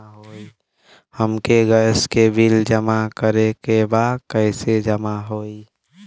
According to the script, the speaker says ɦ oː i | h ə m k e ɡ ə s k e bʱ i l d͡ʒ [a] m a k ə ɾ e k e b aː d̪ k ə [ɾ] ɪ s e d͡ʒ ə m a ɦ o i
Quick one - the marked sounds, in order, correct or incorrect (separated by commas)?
incorrect, incorrect